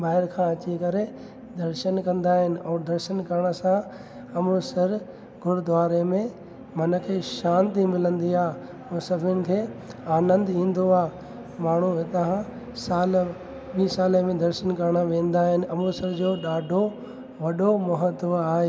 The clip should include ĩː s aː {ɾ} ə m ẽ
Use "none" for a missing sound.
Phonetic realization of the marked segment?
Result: l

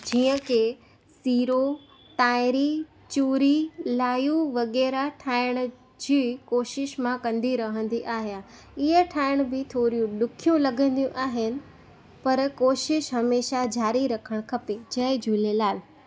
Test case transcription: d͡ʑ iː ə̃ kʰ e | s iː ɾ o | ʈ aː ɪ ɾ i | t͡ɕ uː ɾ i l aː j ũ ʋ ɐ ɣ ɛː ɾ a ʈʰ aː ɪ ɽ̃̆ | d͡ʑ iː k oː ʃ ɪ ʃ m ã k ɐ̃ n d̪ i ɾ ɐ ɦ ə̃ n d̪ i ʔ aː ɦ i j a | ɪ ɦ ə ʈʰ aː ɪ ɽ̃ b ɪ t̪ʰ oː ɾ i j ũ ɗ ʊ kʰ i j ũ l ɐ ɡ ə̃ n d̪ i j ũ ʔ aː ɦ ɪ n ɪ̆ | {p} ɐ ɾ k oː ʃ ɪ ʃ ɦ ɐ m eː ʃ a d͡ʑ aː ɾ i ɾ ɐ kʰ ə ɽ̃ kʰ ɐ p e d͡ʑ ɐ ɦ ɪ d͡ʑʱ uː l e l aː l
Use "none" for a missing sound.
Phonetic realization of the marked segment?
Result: p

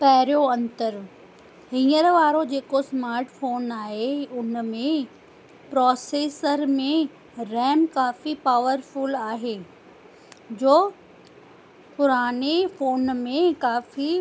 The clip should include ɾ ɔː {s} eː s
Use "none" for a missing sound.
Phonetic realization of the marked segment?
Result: s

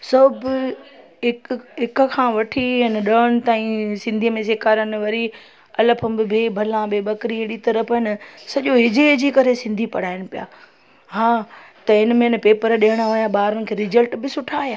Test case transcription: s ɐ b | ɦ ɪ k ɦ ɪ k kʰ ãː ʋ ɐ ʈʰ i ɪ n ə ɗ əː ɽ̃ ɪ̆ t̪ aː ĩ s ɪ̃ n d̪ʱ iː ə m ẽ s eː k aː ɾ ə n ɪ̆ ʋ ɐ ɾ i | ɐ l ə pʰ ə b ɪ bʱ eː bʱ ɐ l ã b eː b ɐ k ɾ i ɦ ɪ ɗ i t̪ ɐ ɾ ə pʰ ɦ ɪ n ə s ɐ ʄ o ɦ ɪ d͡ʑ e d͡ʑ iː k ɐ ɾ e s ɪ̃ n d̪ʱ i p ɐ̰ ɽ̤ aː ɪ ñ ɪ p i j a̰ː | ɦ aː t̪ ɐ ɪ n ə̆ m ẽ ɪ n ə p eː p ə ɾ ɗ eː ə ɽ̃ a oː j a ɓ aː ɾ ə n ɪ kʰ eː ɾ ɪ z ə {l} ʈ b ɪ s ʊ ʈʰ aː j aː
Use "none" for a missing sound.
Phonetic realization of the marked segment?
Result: l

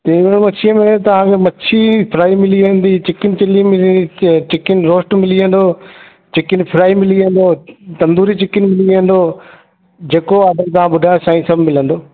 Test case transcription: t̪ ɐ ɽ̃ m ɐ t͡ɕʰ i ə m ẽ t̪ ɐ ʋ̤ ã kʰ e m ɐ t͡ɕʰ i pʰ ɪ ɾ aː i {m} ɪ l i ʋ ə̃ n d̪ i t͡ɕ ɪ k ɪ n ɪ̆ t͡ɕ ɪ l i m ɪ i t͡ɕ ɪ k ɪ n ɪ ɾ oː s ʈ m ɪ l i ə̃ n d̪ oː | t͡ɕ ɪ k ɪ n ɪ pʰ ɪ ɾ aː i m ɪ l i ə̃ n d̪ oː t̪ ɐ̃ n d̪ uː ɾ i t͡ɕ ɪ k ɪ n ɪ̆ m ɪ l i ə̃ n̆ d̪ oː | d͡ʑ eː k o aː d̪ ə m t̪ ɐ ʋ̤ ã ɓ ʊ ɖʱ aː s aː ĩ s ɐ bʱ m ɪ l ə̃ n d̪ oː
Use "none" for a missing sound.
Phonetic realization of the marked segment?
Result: m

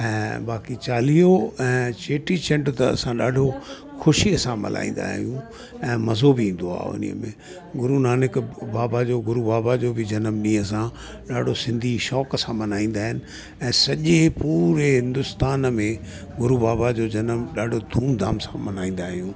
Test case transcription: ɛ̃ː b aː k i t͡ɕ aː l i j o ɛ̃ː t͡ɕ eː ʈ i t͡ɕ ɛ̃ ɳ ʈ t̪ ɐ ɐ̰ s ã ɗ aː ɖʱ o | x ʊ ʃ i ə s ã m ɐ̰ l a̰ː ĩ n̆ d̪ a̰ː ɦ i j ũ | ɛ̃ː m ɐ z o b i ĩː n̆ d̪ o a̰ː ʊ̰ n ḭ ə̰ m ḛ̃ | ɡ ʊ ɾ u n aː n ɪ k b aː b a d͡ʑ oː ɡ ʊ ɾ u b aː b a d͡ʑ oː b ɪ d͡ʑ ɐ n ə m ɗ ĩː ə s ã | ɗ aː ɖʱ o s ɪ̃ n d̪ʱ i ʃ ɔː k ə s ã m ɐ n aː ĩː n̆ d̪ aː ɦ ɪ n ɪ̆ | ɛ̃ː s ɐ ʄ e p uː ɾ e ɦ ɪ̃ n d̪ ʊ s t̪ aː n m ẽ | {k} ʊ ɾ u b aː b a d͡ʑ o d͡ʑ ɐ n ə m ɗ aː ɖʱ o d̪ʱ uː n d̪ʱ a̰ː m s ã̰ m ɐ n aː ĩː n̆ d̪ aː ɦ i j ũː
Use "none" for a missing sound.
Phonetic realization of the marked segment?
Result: ɡ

